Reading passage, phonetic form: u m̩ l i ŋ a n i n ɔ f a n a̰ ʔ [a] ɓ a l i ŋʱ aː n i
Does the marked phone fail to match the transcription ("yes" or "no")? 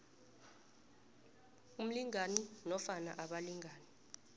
no